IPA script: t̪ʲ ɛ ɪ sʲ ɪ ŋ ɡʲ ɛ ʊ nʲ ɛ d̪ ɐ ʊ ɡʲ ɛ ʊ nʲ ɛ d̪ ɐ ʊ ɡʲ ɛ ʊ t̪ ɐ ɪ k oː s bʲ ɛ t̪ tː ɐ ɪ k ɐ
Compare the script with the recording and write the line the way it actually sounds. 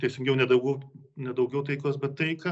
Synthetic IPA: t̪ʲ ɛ ɪ sʲ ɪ ŋ ɡʲ ɛ ʊ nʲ ɛ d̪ ɐ ʊ ɡʲ ɛ ʊ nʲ ɛ d̪ ɐ ʊ ɡʲ ɛ ʊ t̪ ɐ ɪ k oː s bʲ ɛ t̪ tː ɐ ɪ k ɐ

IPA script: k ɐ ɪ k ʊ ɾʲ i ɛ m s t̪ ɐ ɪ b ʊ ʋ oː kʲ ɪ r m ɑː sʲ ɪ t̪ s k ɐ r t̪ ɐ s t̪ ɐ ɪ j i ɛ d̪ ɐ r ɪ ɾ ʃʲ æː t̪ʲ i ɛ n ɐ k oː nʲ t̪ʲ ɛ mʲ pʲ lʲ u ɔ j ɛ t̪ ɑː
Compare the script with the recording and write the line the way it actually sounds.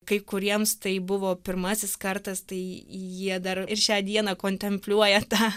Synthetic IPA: k ɐ ɪ k ʊ ɾʲ i ɛ m s t̪ ɐ ɪ b ʊ ʋ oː pʲ ɪ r m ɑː sʲ ɪ s k ɐ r t̪ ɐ s t̪ ɐ ɪ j i ɛ d̪ ɐ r ɪ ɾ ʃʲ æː d̪ʲ i ɛ n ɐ k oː nʲ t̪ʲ ɛ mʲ pʲ lʲ u ɔ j ɛ t̪ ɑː

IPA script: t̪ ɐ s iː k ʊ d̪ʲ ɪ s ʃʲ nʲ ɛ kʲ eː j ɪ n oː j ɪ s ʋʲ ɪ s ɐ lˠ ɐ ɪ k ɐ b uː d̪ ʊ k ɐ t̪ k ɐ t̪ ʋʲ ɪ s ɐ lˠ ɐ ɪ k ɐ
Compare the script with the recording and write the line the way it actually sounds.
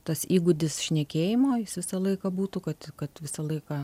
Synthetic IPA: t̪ ɐ s iː ɡ ʊ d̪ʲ ɪ s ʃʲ nʲ ɛ kʲ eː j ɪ m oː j ɪ s ʋʲ ɪ s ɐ lˠ ɐ ɪ k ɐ b uː t̪ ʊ k ɐ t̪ k ɐ t̪ ʋʲ ɪ s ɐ lˠ ɐ ɪ k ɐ

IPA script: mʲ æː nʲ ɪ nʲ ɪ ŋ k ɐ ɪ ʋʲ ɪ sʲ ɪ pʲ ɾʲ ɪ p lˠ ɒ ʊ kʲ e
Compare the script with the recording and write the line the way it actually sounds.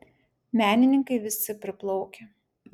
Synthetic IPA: mʲ æː nʲ ɪ nʲ ɪ ŋ k ɐ ɪ ʋʲ ɪ sʲ ɪ pʲ ɾʲ ɪ p lˠ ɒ ʊ kʲ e

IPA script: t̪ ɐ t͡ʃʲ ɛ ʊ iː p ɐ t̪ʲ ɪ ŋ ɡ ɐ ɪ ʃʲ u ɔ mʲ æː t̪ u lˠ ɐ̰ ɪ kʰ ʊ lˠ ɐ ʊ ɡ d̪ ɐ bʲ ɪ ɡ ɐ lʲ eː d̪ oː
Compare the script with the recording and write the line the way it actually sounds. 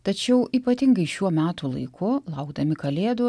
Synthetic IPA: t̪ ɐ t͡ʃʲ ɛ ʊ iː p ɐ t̪ʲ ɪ ŋ ɡ ɐ ɪ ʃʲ u ɔ mʲ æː t̪ u lˠ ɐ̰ ɪ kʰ ʊ lˠ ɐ ʊ ɡ d̪ ɐ mʲ ɪ k ɐ lʲ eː d̪ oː

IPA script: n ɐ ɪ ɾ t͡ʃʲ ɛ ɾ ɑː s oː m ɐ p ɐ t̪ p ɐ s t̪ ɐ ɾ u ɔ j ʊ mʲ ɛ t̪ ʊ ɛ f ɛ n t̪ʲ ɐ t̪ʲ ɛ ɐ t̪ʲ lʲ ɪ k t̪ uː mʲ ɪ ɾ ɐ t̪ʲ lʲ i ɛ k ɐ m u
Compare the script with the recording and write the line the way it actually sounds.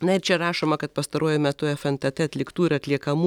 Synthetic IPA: n ɐ ɪ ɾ t͡ʃʲ ɛ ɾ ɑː ʃ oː m ɐ k ɐ t̪ p ɐ s t̪ ɐ ɾ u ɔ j ʊ mʲ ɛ t̪ ʊ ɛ f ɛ n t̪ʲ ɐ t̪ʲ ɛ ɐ t̪ʲ lʲ ɪ k t̪ uː ɪ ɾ ɐ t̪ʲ lʲ i ɛ k ɐ m u

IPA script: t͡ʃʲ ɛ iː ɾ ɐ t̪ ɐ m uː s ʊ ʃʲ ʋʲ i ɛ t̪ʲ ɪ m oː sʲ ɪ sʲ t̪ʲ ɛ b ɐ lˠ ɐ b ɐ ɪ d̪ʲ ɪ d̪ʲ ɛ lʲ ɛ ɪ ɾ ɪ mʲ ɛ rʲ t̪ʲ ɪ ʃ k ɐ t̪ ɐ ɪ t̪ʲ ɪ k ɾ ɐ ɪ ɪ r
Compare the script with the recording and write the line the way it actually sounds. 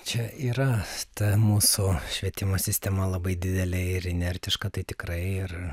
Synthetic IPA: t͡ʃʲ ɛ iː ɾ ɐ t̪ ɐ m uː s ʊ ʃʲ ʋʲ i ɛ t̪ʲ ɪ m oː sʲ ɪ sʲ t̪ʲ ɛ m ɐ lˠ ɐ b ɐ ɪ d̪ʲ ɪ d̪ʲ ɛ lʲ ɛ ɪ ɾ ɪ nʲ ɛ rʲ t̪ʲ ɪ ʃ k ɐ t̪ ɐ ɪ t̪ʲ ɪ k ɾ ɐ ɪ ɪ r

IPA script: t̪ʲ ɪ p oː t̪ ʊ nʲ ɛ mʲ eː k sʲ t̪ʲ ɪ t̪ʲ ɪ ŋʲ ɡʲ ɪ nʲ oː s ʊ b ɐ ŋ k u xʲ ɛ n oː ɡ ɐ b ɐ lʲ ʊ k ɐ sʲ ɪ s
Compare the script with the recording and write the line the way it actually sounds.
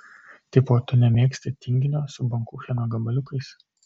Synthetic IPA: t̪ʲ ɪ p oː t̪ ʊ nʲ ɛ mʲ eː k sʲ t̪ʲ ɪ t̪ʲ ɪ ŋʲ ɡʲ ɪ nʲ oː s ʊ b ɐ ŋ k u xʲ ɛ n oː ɡ ɐ b ɐ lʲ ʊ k ɐ ɪ s

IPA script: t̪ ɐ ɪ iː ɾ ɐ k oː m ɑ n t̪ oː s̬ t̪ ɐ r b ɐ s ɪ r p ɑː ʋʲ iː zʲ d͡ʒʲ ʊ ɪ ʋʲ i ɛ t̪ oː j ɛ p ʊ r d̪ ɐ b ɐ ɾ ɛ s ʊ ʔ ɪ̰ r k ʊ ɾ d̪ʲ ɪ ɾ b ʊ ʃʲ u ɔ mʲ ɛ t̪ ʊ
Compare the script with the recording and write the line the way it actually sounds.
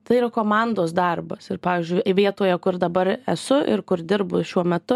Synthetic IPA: t̪ ɐ ɪ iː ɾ ɐ k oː m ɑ n d̪ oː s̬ d̪ ɐ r b ɐ s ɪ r p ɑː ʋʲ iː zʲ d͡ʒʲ ʊ ɪ ʋʲ i ɛ t̪ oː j ɛ k ʊ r d̪ ɐ b ɐ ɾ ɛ s ʊ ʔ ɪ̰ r k ʊ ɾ d̪ʲ ɪ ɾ b ʊ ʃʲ u ɔ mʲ ɛ t̪ ʊ

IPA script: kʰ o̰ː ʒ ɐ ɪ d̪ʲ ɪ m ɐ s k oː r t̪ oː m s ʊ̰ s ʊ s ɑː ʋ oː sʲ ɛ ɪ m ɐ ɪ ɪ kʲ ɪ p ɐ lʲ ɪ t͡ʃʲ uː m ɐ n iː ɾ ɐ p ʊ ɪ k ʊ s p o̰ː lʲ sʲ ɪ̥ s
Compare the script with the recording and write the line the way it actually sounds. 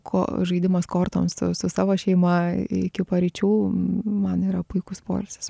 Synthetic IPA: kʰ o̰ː ʒ ɐ ɪ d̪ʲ ɪ m ɐ s k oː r t̪ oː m s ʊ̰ s ʊ s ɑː ʋ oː ʃʲ ɛ ɪ m ɐ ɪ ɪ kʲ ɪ p ɐ ɾʲ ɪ t͡ʃʲ uː m ɐ n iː ɾ ɐ p ʊ ɪ k ʊ s p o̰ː lʲ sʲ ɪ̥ s

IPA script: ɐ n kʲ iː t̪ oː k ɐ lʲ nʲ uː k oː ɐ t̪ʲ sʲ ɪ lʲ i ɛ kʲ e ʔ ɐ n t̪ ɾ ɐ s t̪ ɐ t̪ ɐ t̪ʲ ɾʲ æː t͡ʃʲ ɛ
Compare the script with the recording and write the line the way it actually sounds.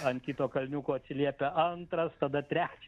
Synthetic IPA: ɐ n kʲ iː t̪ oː k ɐ lʲ nʲ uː k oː ɐ t̪ʲ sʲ ɪ lʲ i ɛ pʲ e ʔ ɐ n t̪ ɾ ɐ s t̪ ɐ d̪ ɐ t̪ʲ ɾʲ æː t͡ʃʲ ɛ

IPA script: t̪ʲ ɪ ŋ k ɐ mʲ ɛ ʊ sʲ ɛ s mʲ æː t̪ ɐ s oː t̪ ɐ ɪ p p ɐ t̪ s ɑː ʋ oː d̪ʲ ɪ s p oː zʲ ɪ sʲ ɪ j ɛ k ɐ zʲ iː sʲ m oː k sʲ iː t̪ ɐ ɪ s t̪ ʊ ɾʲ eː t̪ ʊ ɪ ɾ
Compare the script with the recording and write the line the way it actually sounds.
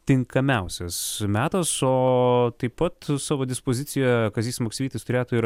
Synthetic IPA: t̪ʲ ɪ ŋ k ɐ mʲ ɛ ʊ sʲ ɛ s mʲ æː t̪ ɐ s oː t̪ ɐ ɪ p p ɐ t̪ s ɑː ʋ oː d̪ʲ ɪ s p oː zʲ ɪ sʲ ɪ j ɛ k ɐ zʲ iː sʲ m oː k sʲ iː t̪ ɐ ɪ s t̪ ʊ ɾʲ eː t̪ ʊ ɪ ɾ

